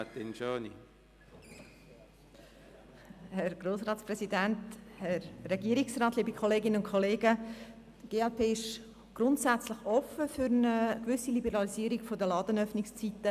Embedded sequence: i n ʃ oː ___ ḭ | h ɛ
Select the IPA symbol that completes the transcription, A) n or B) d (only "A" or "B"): A